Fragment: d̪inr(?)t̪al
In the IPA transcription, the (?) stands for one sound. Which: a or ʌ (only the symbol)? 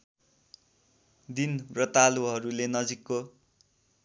ʌ